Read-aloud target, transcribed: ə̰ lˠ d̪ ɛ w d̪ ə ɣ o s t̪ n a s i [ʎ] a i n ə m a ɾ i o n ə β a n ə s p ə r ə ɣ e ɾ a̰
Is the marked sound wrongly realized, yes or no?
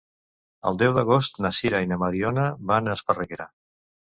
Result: yes